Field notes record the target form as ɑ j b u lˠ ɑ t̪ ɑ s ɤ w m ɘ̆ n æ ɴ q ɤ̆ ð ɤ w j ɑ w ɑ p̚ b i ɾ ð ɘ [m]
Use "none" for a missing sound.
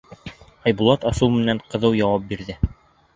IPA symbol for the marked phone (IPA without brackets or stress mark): none